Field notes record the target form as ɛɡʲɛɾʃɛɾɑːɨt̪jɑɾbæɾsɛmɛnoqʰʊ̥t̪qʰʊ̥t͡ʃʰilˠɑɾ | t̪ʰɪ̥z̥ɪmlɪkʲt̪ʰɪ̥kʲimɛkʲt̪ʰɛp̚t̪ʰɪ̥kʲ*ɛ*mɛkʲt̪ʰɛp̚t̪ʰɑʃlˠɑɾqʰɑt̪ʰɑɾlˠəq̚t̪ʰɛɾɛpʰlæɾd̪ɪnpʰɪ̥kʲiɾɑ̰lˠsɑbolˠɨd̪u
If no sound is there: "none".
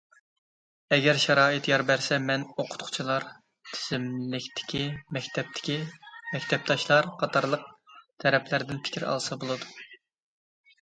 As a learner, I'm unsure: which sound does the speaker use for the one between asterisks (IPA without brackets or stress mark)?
i